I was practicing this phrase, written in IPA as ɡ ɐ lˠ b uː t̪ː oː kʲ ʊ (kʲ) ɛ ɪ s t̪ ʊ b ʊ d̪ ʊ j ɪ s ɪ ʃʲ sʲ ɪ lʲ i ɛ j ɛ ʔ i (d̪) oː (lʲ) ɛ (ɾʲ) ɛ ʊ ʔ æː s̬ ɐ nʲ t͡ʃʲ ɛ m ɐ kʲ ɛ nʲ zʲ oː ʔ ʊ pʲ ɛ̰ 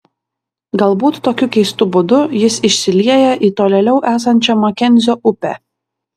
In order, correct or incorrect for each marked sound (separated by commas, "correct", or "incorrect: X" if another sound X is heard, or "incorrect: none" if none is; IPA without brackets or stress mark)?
correct, incorrect: t̪, correct, incorrect: lʲ